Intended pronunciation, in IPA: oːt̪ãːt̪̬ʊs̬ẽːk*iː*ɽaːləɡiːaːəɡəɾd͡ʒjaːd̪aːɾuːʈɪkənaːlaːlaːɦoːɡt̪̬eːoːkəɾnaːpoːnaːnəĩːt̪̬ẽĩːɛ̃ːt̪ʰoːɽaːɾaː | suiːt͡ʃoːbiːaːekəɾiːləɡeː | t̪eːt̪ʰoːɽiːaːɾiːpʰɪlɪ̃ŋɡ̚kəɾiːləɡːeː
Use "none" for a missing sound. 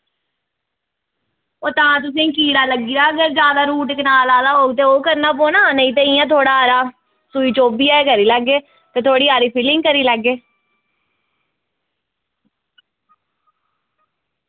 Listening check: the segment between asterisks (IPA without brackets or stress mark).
iː